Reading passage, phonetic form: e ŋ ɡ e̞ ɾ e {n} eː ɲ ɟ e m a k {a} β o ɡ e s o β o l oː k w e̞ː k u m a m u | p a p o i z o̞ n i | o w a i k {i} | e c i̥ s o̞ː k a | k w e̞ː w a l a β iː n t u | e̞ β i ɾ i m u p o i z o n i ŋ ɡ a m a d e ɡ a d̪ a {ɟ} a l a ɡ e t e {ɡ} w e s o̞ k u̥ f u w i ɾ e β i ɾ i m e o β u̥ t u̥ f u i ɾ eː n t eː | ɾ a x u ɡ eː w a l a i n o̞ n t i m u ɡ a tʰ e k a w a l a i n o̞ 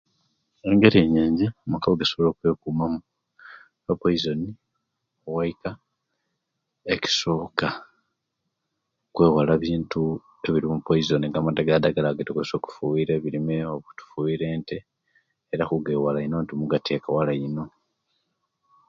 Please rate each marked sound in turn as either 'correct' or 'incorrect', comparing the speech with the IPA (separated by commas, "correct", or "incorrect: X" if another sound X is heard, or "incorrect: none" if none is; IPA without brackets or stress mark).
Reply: incorrect: ɲ, correct, incorrect: a, incorrect: ɡ, incorrect: k